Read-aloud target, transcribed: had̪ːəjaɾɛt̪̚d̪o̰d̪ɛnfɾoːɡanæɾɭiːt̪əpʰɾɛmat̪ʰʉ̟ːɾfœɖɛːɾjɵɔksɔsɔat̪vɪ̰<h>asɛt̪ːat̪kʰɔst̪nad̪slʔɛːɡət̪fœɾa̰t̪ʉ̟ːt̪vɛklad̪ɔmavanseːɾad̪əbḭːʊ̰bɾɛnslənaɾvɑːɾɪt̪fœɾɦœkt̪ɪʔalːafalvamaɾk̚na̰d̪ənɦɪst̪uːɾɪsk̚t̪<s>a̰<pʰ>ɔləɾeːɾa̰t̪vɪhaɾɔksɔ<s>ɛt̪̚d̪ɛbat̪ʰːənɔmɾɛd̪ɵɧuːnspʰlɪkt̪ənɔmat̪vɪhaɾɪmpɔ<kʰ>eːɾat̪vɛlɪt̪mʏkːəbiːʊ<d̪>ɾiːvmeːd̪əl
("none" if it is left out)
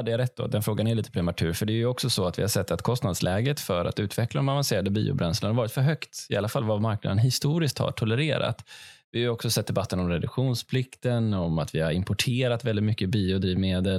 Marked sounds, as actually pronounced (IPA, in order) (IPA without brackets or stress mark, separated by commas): h, h, ʈʰ, s, ʈʰ, d̪